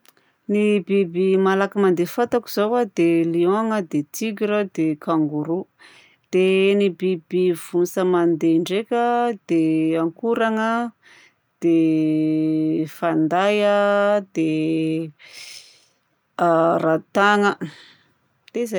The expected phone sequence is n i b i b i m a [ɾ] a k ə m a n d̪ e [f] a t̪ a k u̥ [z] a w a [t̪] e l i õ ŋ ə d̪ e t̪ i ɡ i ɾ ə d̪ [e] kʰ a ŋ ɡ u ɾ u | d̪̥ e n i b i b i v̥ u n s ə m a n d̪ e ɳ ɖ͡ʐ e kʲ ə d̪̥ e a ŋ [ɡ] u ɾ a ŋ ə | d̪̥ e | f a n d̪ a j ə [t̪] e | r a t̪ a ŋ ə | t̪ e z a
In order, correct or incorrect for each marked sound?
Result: incorrect, correct, correct, incorrect, correct, incorrect, incorrect

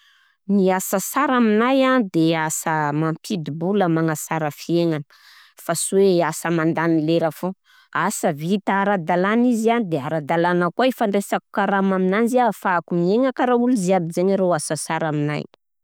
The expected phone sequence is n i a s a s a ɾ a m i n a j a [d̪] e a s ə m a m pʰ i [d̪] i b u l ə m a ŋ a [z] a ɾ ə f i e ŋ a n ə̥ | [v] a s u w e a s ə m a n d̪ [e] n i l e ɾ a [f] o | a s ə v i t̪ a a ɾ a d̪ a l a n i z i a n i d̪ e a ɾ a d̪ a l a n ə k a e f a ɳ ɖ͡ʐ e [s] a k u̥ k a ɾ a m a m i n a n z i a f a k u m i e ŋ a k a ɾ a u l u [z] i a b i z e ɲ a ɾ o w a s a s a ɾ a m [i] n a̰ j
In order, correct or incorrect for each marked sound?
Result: correct, correct, incorrect, incorrect, incorrect, correct, correct, correct, correct

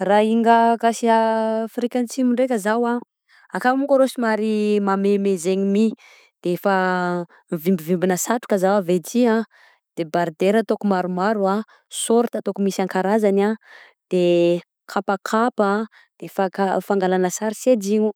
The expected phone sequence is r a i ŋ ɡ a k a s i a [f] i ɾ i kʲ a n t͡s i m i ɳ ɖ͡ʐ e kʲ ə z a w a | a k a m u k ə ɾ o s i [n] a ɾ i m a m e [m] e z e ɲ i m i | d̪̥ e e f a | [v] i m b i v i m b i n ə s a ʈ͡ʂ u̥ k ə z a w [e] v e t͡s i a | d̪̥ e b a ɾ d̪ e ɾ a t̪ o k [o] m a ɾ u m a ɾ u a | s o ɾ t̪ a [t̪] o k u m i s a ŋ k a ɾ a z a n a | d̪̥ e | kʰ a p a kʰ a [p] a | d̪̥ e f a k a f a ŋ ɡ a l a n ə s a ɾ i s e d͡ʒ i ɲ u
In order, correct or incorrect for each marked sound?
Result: correct, incorrect, correct, correct, incorrect, incorrect, correct, correct

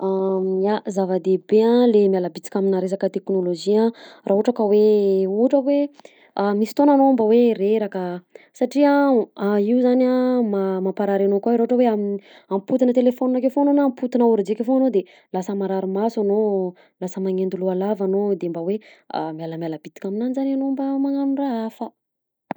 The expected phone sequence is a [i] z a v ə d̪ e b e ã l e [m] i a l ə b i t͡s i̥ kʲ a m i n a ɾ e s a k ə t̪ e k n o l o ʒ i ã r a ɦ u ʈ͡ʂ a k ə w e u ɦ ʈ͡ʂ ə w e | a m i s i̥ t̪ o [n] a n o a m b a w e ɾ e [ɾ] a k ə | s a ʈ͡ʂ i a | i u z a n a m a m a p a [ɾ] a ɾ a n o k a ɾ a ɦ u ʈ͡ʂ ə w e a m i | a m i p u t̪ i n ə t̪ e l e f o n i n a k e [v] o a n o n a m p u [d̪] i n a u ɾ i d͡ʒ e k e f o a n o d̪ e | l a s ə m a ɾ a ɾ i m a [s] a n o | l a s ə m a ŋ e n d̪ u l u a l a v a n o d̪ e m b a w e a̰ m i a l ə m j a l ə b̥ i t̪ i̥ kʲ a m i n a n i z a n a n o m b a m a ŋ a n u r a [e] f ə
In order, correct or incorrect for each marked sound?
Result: incorrect, correct, correct, correct, correct, incorrect, incorrect, correct, incorrect

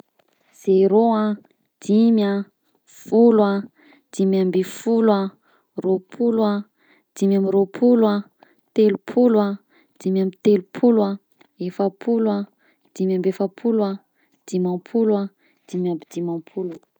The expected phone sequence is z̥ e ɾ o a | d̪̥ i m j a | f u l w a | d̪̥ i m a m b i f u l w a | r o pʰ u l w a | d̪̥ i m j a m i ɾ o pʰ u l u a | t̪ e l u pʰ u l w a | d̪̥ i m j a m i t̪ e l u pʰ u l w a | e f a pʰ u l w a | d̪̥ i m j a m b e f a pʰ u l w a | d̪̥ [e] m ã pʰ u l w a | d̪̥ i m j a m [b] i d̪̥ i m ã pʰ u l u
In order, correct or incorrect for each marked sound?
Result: incorrect, correct

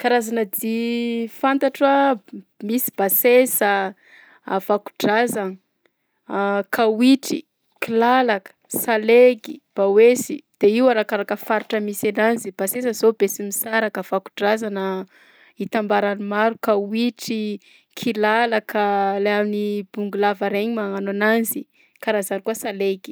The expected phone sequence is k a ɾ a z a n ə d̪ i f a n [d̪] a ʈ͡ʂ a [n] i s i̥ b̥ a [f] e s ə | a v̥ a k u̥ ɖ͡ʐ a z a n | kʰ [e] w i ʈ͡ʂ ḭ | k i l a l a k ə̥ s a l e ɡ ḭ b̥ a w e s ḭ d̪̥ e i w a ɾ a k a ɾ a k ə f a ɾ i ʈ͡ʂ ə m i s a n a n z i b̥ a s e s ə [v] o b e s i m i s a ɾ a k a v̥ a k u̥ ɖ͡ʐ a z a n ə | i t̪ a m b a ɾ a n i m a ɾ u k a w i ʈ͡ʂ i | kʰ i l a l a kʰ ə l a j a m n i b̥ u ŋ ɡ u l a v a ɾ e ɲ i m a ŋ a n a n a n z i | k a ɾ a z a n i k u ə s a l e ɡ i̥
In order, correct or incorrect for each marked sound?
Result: incorrect, incorrect, incorrect, incorrect, incorrect

